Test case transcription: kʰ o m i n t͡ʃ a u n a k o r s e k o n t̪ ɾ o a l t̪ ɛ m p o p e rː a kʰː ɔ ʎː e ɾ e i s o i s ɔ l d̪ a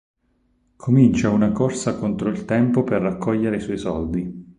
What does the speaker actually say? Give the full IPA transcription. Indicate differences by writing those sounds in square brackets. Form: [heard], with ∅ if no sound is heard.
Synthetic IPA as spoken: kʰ o m i n t͡ʃ a u n a k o r s [a] k o n t̪ ɾ o [i] l t̪ ɛ m p o p e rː a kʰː ɔ ʎː e ɾ e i s [ɔ] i s ɔ l d̪ [i]